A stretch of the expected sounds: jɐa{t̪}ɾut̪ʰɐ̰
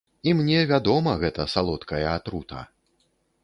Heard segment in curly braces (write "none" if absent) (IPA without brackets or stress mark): t̪